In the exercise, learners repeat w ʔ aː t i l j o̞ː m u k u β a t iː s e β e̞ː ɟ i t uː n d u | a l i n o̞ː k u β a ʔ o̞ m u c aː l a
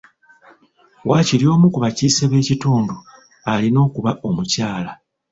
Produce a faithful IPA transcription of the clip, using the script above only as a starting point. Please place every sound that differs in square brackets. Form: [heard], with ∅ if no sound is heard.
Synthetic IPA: w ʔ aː [c] i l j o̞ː m u k u β a [c] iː s e β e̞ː [c] i t uː n d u | a l i n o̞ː k u β a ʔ o̞ m u c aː l a